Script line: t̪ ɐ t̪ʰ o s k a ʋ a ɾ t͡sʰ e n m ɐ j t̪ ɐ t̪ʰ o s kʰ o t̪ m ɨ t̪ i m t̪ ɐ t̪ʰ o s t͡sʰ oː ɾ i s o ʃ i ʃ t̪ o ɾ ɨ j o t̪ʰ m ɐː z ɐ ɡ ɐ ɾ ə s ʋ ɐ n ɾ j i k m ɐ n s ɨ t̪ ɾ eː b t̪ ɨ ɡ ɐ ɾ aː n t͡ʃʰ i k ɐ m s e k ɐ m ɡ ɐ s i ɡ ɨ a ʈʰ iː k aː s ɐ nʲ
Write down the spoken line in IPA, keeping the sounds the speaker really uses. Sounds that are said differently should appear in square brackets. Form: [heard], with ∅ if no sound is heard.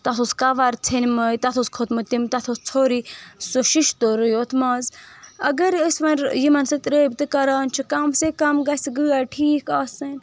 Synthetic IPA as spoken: t̪ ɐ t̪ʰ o s k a ʋ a ɾ t͡sʰ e n m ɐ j t̪ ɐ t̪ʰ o s kʰ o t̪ m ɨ t̪ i m t̪ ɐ t̪ʰ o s t͡sʰ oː ɾ i s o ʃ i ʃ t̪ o ɾ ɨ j o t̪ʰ m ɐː z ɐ ɡ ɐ ɾ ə s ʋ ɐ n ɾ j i [∅] m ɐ n s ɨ t̪ ɾ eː b t̪ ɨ [k] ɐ ɾ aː n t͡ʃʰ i k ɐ m s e k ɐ m ɡ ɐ s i ɡ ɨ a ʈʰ iː k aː s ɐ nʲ